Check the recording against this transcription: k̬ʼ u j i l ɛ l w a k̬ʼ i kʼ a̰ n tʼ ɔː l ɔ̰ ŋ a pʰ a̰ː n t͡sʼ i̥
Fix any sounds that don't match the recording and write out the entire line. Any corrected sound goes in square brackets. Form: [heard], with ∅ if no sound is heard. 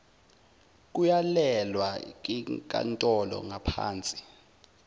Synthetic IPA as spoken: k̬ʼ u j [a] l ɛ l w a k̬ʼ i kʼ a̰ n tʼ [ɔ] l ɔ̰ ŋ a pʰ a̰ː n t͡sʼ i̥

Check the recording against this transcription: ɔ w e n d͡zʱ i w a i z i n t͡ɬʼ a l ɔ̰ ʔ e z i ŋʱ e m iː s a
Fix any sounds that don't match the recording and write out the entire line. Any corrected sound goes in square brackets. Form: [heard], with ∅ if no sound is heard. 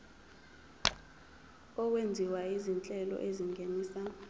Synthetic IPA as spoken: ɔ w e n d͡zʱ i w a i z i n t͡ɬʼ [ɛ] l ɔ̰ ʔ e z i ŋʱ e [n] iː s a

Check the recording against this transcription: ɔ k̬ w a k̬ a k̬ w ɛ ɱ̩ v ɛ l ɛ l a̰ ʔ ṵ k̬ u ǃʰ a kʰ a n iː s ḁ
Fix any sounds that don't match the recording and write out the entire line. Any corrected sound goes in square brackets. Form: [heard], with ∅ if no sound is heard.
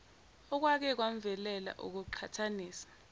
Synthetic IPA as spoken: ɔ k̬ w a k̬ [ɛ] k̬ w [a] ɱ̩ v ɛ l ɛ l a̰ ʔ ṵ k̬ u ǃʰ a [tʰ] a n iː s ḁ

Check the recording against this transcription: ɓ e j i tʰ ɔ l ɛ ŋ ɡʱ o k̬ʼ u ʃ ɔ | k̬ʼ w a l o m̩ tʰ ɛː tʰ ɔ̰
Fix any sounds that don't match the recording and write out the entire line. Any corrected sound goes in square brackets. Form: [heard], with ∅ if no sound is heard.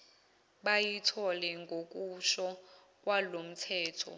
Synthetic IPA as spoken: ɓ [a] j i tʰ ɔ l ɛ ŋ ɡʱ o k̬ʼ u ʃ ɔ | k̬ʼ w a l o m̩ tʰ ɛː tʰ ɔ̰

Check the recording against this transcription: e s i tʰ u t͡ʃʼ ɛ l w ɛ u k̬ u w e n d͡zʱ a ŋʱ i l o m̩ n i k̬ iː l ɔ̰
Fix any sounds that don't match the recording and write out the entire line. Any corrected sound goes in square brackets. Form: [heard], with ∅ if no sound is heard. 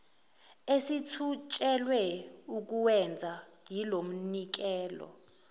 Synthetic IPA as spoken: e s i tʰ u t͡ʃʼ ɛ l w ɛ u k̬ u w [ɛ] n d͡zʱ a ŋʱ i l o m̩ n i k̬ [ɛː] l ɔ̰

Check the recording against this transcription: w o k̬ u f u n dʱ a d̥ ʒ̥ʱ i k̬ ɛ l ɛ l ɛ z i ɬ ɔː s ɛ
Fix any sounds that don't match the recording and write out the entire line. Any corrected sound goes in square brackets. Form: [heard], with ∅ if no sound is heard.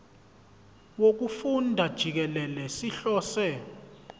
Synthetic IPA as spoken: w o k̬ u f u n dʱ a d̥ ʒ̥ʱ i k̬ ɛ l ɛ l ɛ [s] i ɬ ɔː s ɛ

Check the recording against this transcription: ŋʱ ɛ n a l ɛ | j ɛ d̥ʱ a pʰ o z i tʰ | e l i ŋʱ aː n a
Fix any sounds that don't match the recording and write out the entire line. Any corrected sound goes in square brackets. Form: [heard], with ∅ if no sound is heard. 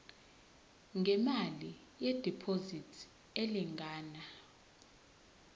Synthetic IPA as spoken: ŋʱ ɛ [m] a l [i] | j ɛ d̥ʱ [i] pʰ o z i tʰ | e l i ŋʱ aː n a

